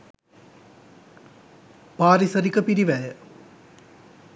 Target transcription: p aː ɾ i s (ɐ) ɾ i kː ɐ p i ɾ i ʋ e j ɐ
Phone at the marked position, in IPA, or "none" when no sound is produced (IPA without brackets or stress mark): ɐ